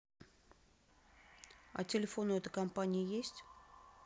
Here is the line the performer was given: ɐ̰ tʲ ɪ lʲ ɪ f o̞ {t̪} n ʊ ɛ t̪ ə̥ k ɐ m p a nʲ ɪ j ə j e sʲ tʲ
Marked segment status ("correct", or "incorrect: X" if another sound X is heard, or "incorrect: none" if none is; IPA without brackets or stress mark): incorrect: none